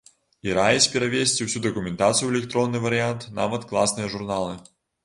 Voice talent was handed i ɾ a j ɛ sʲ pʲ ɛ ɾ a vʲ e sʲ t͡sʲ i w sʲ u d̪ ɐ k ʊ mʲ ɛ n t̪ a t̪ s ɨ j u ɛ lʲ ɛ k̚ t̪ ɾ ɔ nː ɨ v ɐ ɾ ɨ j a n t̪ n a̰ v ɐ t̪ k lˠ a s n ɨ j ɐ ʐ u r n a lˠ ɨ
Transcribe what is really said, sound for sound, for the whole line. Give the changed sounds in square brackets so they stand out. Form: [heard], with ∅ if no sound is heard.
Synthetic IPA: i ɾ a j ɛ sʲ pʲ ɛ ɾ a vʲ e sʲ t͡sʲ i w sʲ u d̪ ɐ k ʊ mʲ ɛ n t̪ a t̪ s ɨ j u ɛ lʲ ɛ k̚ t̪ ɾ ɔ nː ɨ v ɐ ɾ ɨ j a n t̪ n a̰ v ɐ t̪ k lˠ a s n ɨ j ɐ ʐ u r n a lˠ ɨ